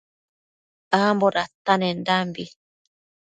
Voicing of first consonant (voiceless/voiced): voiced